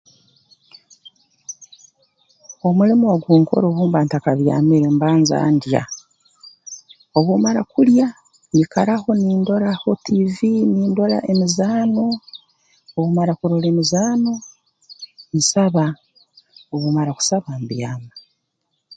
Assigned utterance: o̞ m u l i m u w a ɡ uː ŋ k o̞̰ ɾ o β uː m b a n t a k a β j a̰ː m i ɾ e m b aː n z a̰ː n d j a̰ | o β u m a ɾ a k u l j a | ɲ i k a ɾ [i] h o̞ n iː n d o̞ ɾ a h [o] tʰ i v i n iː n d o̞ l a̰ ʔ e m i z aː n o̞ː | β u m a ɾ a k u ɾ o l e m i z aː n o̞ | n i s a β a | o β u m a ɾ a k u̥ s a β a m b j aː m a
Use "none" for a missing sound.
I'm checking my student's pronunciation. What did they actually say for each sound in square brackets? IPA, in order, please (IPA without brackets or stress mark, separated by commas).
a, o